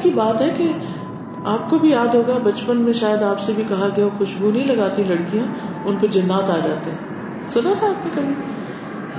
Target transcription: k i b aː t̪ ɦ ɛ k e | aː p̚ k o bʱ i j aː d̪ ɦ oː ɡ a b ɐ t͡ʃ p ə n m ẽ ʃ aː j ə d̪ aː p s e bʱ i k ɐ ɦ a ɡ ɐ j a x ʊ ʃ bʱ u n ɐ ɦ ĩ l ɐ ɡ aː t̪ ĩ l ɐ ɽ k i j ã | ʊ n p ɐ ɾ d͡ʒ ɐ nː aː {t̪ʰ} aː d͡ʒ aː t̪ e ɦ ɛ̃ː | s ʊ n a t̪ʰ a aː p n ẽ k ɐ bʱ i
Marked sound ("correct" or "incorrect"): incorrect